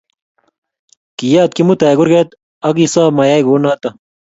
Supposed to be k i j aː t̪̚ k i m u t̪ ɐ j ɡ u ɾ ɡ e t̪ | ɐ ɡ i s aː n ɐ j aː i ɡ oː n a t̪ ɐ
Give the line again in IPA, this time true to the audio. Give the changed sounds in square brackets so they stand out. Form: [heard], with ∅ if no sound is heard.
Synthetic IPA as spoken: k i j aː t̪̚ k i m u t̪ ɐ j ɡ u ɾ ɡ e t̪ | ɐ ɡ i s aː [m] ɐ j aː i ɡ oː n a t̪ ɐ